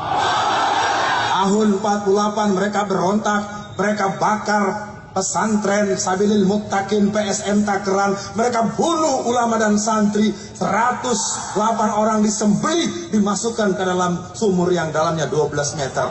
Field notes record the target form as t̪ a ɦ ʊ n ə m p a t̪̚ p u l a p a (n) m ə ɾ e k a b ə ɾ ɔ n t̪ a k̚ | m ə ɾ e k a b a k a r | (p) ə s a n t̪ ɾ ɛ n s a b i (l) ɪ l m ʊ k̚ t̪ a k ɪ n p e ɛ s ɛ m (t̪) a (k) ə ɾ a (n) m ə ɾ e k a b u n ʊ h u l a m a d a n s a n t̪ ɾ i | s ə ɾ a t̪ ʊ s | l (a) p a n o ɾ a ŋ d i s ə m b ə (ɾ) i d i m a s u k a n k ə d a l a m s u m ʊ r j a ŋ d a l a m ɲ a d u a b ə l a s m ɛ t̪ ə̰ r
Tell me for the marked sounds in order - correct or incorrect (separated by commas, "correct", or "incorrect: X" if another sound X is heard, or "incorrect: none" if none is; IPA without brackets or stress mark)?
correct, correct, correct, correct, correct, correct, correct, incorrect: l